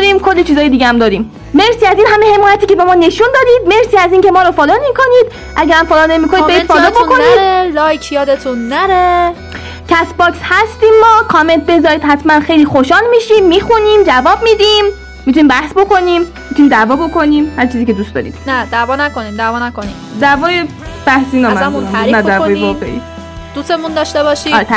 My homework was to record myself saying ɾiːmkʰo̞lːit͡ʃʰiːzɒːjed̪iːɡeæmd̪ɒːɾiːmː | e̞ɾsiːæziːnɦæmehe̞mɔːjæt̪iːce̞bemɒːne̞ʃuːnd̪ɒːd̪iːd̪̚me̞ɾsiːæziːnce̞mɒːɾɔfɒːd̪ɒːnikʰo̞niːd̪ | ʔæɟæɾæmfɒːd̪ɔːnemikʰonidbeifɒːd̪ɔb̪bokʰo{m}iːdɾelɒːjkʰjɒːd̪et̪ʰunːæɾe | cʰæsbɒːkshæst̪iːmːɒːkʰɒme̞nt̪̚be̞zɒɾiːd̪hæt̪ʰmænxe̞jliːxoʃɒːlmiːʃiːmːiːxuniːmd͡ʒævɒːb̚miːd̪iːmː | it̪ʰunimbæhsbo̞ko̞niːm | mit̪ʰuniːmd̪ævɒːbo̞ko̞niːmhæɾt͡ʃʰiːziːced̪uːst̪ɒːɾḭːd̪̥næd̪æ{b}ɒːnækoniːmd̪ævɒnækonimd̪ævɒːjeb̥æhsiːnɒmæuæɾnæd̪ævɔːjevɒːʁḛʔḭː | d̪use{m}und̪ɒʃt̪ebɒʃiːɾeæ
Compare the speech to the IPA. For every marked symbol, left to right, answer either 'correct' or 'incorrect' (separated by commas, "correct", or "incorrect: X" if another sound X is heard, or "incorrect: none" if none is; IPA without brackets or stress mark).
incorrect: n, incorrect: v, correct